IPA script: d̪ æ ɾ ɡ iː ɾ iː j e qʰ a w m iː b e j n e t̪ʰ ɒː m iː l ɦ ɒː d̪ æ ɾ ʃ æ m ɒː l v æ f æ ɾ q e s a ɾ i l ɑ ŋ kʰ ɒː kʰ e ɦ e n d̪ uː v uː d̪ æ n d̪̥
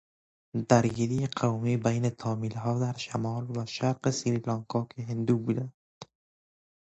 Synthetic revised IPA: d̪ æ ɾ ɡ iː ɾ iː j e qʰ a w m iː b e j n e t̪ʰ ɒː m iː l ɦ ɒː d̪ æ ɾ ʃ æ m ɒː l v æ ʃ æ ɾ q e s i ɾ i l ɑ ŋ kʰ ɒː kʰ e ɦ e n d̪ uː b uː d̪ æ n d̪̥

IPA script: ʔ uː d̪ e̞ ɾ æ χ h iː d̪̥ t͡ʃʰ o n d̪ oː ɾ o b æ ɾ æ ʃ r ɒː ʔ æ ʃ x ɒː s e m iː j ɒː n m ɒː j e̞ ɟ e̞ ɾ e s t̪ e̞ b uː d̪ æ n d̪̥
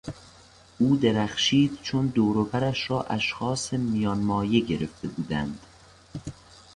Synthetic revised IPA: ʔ uː d̪ e̞ ɾ æ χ ʃ iː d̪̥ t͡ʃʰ o n d̪ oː ɾ o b æ ɾ æ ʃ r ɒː ʔ æ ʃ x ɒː s e m i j ɒː n m ɒː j e̞ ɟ e̞ ɾ e f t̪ e̞ b uː d̪ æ n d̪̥

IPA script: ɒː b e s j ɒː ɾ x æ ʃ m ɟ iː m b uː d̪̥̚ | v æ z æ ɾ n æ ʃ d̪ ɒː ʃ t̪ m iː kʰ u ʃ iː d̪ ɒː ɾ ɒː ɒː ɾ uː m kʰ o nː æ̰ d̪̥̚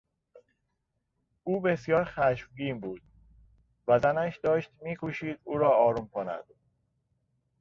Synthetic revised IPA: uː b e s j ɒː ɾ x æ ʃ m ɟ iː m b uː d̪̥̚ | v æ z æ n æ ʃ d̪ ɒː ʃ t̪ m iː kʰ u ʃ iː d̪ uː ɾ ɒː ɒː ɾ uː m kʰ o n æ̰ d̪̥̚

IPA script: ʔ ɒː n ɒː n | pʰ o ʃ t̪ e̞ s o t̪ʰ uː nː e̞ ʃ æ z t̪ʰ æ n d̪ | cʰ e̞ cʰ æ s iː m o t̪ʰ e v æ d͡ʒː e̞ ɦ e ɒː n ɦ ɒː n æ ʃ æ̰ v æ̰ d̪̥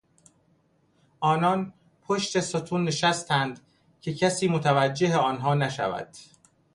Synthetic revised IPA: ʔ ɒː n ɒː n | pʰ o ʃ t̪ e̞ s o t̪ʰ uː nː e̞ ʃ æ s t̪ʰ æ n d̪ | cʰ e̞ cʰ æ s iː m o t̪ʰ æ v æ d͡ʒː e̞ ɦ e ɒː n ɦ ɒː n æ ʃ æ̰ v æ̰ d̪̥

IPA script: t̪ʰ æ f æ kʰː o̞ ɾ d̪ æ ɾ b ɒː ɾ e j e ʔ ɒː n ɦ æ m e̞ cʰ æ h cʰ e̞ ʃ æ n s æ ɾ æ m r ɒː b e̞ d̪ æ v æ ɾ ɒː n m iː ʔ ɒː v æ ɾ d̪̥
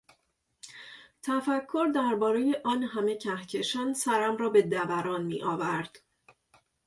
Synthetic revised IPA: t̪ʰ æ f æ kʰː o̞ ɾ d̪ æ ɾ b ɒː ɾ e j e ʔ ɒː n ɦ æ m e̞ cʰ æ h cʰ e̞ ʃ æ n s æ ɾ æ m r ɒː b e̞ d̪ æ v æ ɾ ɒː n m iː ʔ ɒː v æ ɾ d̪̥

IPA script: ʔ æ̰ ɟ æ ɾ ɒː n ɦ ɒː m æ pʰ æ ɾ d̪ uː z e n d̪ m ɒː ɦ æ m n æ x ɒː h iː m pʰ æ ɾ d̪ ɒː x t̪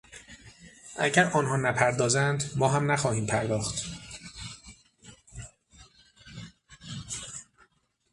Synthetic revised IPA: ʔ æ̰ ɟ æ ɾ ɒː n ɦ ɒː n æ pʰ æ ɾ d̪ ɒː z æ n d̪ m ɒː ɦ æ m n æ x ɒː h iː m pʰ æ ɾ d̪ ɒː x t̪

